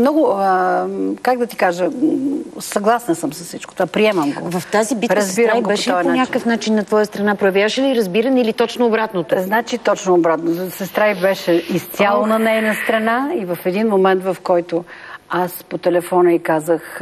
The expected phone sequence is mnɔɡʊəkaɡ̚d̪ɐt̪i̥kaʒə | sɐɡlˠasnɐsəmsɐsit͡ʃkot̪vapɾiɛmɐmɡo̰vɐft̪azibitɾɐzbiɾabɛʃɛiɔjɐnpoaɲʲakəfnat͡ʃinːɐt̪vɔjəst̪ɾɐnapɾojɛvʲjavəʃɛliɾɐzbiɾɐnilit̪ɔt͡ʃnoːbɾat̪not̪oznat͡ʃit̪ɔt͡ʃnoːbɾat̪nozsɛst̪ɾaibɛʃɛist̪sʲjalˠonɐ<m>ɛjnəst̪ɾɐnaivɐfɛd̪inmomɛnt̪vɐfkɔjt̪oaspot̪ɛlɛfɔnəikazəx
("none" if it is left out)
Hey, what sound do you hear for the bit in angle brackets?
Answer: n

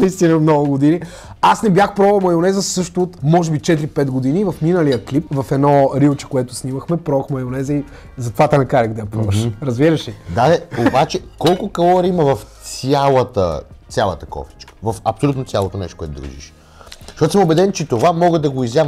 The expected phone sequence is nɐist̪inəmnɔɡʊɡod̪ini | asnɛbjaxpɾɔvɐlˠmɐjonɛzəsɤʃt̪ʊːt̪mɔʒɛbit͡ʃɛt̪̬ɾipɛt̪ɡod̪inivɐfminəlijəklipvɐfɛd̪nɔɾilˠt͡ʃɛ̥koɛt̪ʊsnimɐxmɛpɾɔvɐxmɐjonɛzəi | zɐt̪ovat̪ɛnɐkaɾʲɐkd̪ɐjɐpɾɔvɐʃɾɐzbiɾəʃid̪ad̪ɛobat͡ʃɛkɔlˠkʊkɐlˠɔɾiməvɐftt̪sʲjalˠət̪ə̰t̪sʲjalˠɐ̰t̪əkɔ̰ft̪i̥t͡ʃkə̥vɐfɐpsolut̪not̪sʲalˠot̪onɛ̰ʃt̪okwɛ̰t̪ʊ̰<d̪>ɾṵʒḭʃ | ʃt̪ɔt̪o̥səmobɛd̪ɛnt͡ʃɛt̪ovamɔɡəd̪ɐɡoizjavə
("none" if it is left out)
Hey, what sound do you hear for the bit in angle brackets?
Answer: d̪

